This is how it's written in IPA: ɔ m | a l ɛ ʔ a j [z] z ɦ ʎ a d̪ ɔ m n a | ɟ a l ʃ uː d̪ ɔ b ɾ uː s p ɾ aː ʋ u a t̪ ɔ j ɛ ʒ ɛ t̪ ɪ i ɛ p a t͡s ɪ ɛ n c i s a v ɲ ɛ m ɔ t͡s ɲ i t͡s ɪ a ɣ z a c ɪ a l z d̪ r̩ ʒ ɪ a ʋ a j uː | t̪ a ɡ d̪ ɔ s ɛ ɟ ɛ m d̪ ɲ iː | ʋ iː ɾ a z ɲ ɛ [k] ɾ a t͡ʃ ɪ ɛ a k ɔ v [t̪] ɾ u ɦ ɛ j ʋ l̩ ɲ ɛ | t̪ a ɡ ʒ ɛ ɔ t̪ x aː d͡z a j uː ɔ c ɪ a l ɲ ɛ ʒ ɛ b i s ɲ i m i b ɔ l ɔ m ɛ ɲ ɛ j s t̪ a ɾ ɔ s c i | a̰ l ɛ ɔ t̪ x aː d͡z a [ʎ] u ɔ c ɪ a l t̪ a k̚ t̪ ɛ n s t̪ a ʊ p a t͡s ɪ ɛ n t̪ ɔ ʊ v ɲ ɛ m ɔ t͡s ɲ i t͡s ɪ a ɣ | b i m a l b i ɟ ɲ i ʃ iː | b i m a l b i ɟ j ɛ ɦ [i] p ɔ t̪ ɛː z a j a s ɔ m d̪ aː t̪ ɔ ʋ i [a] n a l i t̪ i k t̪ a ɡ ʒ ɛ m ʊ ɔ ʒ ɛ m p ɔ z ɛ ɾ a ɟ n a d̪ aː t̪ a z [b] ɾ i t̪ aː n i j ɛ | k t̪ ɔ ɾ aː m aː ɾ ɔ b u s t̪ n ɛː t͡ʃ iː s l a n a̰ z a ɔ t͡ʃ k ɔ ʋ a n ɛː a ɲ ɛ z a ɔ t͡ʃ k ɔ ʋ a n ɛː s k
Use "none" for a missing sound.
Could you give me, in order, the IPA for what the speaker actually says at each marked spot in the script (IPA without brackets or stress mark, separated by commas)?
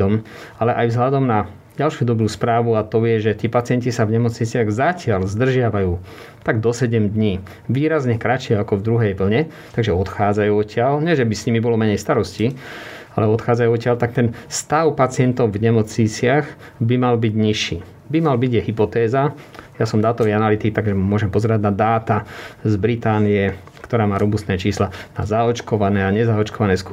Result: v, k, d̪, j, i, a, b